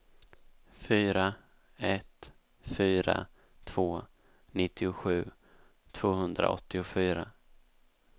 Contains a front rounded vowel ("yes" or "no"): yes